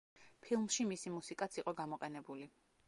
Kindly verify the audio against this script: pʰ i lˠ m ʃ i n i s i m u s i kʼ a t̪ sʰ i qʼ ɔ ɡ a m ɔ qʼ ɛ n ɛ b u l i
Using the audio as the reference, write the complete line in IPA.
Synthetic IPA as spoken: pʰ i lˠ m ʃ i m i s i m u s i kʼ a t̪ sʰ i qʼ ɔ ɡ a m ɔ qʼ ɛ n ɛ b u l i